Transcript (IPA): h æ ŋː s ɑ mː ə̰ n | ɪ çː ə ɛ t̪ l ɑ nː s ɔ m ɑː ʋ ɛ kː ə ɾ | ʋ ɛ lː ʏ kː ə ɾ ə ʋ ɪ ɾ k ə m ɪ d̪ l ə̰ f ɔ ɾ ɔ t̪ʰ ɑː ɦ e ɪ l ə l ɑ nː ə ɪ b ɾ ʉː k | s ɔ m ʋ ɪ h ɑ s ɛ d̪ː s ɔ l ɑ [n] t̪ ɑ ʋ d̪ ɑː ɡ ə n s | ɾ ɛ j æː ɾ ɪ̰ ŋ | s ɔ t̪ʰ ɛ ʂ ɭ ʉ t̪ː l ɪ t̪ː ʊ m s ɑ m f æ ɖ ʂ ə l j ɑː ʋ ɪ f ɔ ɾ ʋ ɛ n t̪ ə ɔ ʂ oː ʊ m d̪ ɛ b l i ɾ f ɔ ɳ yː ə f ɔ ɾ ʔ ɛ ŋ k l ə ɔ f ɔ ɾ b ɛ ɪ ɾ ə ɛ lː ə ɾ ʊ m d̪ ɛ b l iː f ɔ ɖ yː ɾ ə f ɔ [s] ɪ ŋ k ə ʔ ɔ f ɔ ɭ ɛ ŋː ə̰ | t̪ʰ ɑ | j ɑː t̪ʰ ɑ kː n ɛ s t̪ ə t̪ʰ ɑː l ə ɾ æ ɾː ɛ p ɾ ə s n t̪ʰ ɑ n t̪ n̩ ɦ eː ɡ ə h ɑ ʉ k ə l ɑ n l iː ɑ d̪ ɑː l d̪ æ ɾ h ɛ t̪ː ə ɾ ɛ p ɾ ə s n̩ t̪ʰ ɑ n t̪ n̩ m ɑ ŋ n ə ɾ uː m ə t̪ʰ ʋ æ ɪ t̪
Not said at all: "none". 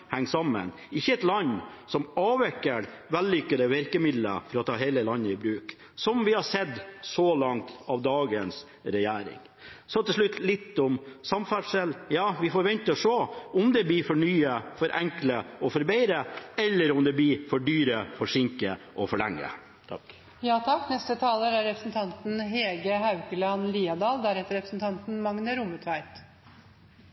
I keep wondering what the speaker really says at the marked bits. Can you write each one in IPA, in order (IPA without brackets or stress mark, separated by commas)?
ŋ, ʂ